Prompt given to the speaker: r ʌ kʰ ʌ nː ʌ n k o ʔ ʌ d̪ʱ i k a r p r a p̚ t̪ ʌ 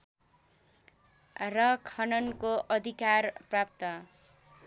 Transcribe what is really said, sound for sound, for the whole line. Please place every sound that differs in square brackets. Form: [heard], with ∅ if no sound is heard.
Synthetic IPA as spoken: r ʌ kʰ ʌ [n] ʌ n k o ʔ ʌ d̪ʱ i k a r p r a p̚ t̪ ʌ